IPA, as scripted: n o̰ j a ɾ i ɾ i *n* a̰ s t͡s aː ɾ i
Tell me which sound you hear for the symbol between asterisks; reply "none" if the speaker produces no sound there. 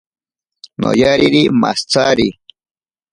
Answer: m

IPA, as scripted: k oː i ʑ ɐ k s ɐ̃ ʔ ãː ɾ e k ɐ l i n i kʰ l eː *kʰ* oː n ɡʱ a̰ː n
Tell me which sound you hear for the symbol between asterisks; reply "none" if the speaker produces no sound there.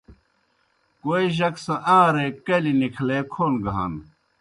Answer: kʰ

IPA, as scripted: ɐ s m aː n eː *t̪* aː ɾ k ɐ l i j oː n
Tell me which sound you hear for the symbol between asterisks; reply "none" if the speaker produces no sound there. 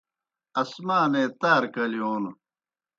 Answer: t̪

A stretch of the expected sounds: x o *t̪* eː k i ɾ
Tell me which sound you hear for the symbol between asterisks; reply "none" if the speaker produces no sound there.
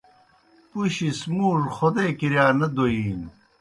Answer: d̪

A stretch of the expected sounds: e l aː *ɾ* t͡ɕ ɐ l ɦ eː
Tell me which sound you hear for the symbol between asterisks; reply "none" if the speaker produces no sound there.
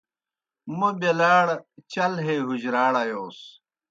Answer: ɽ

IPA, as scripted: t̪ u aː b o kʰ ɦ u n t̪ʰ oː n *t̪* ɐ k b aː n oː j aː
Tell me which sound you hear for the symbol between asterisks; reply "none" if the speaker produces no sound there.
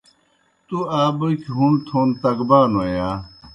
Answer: t̪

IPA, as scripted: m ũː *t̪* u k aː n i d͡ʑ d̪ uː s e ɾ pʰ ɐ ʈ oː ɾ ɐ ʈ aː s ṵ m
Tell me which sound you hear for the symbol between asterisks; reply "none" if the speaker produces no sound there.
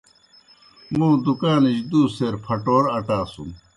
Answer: d̪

